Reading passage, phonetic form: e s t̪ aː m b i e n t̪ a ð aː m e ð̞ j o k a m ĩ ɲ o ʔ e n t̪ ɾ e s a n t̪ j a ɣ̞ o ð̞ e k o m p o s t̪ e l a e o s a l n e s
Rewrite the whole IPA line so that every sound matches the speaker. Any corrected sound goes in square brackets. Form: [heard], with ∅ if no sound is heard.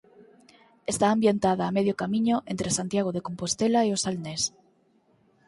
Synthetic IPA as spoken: e s t̪ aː m b [j] e n t̪ a ð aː m e ð̞ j o k a m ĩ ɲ o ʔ e n t̪ ɾ e s a n t̪ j a ɣ̞ o ð̞ e k o m p o s t̪ e l a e o s a l n e s